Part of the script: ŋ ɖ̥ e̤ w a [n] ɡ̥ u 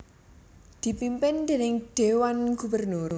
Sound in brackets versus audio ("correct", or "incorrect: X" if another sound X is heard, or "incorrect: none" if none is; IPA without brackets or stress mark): correct